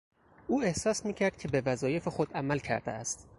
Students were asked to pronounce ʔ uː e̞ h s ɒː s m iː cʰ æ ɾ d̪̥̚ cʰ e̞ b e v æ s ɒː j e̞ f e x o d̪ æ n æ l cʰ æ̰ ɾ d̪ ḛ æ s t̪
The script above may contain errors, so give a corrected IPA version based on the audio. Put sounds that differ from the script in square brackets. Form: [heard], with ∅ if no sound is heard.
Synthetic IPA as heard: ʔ uː e̞ h s ɒː s m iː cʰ æ ɾ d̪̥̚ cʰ e̞ b e v æ [z] ɒː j e̞ f e x o d̪ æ [m] æ l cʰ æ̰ ɾ d̪ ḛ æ s t̪